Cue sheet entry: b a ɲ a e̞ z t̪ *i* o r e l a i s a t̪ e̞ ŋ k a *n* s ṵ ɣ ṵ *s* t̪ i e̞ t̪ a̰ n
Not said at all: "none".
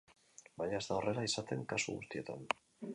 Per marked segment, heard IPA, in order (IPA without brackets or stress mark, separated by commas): a, none, s